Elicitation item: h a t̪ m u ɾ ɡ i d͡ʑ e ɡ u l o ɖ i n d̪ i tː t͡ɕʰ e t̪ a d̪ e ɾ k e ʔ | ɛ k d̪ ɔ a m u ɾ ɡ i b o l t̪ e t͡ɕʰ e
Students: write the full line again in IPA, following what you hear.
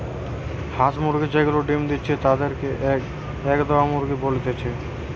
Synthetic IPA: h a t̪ m u ɾ ɡ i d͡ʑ e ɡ u l o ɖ i m d̪ i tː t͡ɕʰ e t̪ a d̪ e ɾ k e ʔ | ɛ k d̪ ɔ a m u ɾ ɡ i b o l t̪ e t͡ɕʰ e